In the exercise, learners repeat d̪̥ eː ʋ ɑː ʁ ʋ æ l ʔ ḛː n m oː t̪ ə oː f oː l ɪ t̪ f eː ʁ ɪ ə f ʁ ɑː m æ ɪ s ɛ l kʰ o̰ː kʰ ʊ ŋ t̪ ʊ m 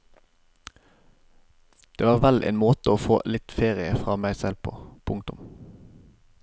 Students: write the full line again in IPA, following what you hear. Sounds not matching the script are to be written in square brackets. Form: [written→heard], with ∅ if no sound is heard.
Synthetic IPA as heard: d̪̥ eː ʋ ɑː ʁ ʋ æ l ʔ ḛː n m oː t̪ ə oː f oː l ɪ t̪ f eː ʁ ɪ ə f ʁ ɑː m æ ɪ s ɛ l [kʰ→pʰ] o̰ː [kʰ→pʰ] ʊ ŋ t̪ ʊ m